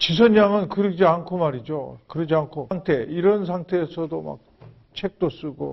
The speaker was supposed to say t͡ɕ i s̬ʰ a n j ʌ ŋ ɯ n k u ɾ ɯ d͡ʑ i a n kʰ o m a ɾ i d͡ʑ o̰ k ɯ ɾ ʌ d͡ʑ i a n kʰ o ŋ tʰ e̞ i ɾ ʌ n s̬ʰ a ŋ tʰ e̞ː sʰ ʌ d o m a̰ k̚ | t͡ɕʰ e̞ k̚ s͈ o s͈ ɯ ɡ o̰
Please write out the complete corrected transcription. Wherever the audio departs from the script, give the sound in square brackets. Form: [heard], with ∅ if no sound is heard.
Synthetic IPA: t͡ɕ i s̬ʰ [ʌ] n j [a] ŋ ɯ n k [ɯ] ɾ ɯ d͡ʑ i a n kʰ o m a ɾ i d͡ʑ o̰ k ɯ ɾ ʌ d͡ʑ i a n kʰ o ŋ tʰ e̞ i ɾ ʌ n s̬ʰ a ŋ tʰ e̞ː sʰ ʌ d o m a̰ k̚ | t͡ɕʰ e̞ k̚ [t͈] o s͈ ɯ ɡ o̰